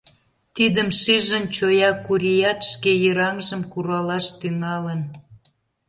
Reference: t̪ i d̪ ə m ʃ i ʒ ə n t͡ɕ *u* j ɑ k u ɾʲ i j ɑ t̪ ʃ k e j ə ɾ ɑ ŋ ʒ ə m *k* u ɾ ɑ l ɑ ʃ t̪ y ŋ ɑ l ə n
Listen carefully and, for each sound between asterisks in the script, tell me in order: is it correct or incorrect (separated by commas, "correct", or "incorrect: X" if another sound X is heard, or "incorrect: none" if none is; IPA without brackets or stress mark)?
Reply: incorrect: o, correct